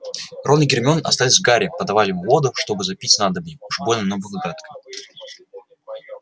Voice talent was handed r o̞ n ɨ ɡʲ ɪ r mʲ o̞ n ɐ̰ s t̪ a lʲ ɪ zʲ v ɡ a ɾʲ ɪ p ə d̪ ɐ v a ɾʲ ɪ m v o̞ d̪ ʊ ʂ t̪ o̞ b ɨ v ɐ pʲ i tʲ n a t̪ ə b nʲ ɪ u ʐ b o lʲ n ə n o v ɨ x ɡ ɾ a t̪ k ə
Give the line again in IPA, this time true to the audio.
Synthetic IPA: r o̞ n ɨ ɡʲ ɪ r mʲ o̞ n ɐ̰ s t̪ a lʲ ɪ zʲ v ɡ a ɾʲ ɪ p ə d̪ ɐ v a lʲ ɪ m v o̞ d̪ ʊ ʂ t̪ o̞ b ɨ z ɐ pʲ i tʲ n a d̪ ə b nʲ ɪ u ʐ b o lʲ n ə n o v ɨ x ɡ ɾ a t̪ k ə